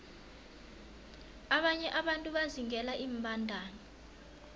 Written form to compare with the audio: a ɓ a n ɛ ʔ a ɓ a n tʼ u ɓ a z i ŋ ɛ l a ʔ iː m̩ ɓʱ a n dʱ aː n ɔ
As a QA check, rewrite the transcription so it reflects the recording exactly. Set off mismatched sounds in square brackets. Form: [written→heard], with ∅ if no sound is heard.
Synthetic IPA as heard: a ɓ a [n→ɲ] ɛ ʔ a ɓ a n tʼ u ɓ a z i ŋ ɛ l a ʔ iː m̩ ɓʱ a n dʱ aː n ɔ